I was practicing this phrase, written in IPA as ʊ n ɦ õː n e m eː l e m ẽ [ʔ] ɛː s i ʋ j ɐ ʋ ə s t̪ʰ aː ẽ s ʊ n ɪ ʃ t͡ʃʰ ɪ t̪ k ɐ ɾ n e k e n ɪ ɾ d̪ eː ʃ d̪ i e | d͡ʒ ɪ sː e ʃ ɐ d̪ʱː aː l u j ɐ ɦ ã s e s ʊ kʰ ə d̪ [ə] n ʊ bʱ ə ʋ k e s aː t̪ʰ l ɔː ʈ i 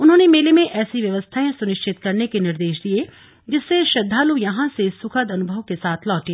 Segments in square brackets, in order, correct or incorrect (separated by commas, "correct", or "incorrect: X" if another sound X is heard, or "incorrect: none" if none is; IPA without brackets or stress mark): correct, incorrect: ɐ